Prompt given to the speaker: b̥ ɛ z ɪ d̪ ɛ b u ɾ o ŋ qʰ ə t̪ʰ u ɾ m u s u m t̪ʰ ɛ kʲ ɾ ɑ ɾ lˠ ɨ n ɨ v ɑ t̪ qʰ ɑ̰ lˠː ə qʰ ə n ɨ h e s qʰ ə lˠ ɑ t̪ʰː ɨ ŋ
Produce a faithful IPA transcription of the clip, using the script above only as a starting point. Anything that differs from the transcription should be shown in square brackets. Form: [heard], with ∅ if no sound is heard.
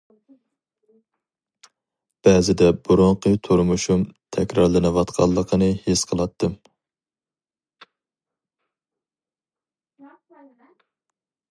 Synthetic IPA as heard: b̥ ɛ z ɪ d̪ ɛ b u ɾ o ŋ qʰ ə t̪ʰ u ɾ m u [ʃ] u m t̪ʰ ɛ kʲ ɾ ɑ ɾ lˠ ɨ n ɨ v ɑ t̪ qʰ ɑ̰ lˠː ə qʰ ə n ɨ h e s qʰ ə lˠ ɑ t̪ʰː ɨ [m]